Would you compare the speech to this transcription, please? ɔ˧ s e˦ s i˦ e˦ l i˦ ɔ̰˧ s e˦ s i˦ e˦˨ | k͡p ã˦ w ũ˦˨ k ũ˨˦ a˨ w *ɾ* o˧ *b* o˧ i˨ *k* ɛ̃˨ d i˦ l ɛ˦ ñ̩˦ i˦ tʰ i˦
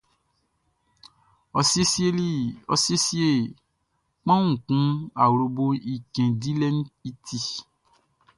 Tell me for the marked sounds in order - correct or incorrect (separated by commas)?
correct, correct, correct